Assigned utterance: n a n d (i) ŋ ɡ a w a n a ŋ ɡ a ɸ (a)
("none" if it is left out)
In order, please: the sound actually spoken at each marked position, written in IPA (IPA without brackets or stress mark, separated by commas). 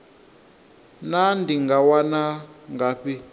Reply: i, i